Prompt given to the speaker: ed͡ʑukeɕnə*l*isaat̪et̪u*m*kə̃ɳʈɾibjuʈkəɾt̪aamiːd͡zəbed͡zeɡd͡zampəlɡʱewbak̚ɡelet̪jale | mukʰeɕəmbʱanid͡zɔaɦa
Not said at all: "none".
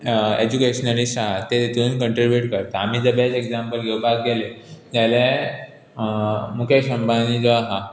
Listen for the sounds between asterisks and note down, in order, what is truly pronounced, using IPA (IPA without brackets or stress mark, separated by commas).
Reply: l, n